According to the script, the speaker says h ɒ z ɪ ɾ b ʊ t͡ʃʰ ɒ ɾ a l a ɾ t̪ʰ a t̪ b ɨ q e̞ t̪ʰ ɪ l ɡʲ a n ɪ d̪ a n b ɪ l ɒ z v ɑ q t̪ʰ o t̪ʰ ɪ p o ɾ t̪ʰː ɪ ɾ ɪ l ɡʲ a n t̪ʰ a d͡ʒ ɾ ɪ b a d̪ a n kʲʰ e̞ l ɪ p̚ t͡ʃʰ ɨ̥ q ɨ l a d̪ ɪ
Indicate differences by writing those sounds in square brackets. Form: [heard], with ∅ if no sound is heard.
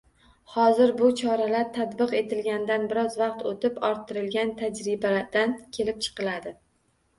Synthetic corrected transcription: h ɒ z ɪ ɾ b ʊ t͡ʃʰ ɒ ɾ a l a ɾ t̪ʰ a t̪ b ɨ q e̞ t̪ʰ ɪ l ɡʲ a n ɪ d̪ a n b ɪ [ɾ] ɒ z v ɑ q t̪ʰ o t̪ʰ ɪ p [ɒ] ɾ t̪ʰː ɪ ɾ ɪ l ɡʲ a n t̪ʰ a d͡ʒ ɾ ɪ b a d̪ a n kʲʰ e̞ l ɪ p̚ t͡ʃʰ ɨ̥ q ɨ l a d̪ ɪ